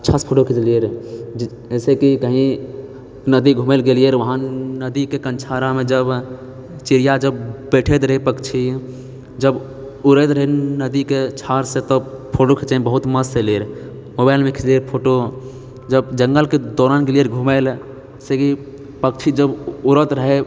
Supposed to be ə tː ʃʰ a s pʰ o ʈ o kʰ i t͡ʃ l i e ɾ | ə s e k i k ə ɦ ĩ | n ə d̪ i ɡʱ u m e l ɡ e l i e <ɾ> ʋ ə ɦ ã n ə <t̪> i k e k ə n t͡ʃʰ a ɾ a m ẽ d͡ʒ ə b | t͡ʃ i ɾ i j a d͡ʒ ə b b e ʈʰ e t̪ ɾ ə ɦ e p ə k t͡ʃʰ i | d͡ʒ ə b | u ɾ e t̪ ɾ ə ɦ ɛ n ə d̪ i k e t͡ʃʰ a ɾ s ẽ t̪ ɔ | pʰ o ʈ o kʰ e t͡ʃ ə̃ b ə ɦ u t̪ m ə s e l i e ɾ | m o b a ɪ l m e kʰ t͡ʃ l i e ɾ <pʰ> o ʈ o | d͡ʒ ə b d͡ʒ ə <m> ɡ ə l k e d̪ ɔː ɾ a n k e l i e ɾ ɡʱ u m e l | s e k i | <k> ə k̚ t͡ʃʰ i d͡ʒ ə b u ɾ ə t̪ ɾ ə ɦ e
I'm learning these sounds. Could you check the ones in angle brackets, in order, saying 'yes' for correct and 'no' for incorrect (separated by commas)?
yes, no, yes, no, no